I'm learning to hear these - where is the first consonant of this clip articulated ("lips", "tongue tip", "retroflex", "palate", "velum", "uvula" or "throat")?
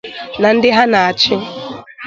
tongue tip